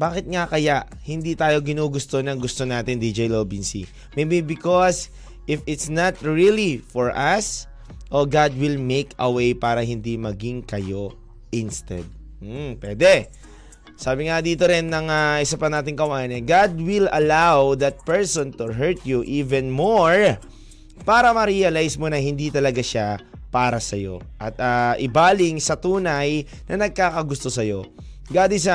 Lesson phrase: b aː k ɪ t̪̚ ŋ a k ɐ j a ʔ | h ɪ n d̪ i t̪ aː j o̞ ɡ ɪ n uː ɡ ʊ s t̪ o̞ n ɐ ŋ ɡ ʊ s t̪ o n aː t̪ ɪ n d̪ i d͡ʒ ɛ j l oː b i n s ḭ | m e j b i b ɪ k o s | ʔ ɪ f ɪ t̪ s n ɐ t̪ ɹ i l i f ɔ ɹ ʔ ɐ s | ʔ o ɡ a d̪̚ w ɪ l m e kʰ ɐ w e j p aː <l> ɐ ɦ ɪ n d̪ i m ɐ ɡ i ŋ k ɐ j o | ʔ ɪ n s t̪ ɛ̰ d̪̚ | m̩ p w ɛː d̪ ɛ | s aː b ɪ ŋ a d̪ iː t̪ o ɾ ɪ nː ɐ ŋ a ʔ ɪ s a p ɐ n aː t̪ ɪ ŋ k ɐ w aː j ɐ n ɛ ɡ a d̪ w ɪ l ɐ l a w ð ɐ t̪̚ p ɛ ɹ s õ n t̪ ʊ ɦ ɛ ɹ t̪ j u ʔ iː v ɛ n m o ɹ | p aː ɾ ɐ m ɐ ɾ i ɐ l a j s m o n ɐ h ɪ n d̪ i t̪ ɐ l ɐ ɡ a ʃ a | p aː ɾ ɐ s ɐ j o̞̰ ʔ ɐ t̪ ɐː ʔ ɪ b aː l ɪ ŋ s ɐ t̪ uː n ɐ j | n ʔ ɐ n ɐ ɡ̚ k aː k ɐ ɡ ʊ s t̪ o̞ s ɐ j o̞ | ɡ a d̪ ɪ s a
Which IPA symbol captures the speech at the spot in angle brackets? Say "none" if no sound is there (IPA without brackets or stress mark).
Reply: ɾ